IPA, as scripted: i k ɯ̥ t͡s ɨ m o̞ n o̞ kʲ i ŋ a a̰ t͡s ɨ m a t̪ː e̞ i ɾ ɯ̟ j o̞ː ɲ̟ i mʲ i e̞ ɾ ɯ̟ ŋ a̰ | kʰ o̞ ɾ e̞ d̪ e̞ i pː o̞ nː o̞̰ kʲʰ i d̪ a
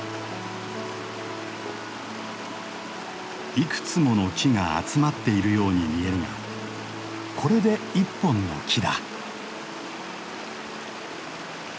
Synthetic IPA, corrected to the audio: i k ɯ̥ t͡s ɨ m o̞ n o̞ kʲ i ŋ a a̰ t͡s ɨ m a t̪ː e̞ i ɾ ɯ̟ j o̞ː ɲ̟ i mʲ i e̞ ɾ ɯ̟ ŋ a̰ | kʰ o̞ ɾ e̞ d̪ e̞ i pː õ̞ nː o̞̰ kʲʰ i d̪ a